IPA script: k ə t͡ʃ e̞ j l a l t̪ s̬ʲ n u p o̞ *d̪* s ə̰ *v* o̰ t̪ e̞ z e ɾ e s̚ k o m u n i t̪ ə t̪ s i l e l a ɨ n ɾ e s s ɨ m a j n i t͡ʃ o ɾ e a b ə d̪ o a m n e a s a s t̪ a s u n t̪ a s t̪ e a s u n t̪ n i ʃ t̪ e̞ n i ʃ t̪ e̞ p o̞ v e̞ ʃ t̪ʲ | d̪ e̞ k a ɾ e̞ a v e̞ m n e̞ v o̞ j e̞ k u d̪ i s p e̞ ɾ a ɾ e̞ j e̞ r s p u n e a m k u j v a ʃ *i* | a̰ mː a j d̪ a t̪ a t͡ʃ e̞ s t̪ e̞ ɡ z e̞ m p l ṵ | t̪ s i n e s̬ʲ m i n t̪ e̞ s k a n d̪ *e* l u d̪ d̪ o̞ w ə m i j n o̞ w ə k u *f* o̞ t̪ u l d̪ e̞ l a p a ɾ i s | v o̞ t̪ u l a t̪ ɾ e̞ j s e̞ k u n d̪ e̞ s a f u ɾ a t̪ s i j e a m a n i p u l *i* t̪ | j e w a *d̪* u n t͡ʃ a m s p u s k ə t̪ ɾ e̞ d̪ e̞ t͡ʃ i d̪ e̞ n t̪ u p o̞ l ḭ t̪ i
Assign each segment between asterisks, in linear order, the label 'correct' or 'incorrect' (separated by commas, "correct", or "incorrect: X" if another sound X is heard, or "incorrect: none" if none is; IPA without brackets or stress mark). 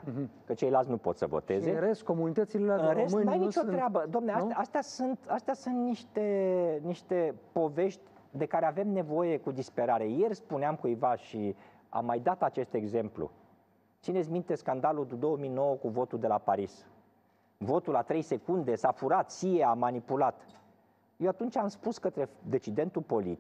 incorrect: t̪, correct, correct, incorrect: a, incorrect: v, incorrect: a, incorrect: t̪